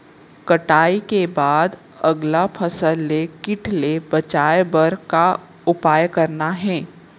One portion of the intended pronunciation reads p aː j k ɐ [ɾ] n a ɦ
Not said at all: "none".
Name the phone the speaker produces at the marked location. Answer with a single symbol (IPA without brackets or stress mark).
ɾ